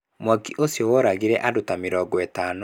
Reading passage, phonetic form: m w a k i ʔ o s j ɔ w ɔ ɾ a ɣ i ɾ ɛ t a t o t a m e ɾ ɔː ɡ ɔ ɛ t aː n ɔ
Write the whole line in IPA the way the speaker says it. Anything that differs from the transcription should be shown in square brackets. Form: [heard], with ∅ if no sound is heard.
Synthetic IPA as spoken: m w a k i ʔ o s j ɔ w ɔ ɾ a ɣ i ɾ ɛ [ʔ] a [d] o t a m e ɾ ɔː ɡ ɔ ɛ t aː n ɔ